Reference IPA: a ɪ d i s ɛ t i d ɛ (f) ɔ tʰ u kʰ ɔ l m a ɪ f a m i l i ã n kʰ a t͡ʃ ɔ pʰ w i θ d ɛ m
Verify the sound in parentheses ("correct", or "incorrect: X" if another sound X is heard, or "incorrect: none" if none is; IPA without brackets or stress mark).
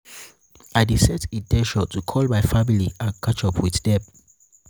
incorrect: ʃ